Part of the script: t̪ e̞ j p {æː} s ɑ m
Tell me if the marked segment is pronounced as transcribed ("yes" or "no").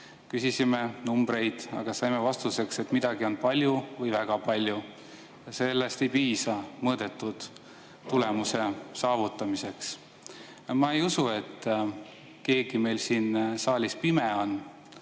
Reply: no